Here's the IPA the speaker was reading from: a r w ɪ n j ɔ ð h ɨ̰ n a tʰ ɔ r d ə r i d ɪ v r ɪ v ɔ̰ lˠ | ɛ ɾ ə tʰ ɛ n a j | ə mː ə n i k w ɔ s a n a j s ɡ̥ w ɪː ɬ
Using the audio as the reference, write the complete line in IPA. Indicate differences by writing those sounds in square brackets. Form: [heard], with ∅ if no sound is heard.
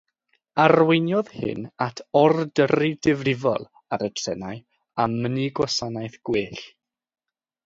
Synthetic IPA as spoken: a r w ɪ n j ɔ ð h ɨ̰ n a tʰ ɔ r d ə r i d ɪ v r ɪ v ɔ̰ lˠ | [a] ɾ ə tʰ ɛ n a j | [a] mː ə n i [ɡ] w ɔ s a n a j [θ] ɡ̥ w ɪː ɬ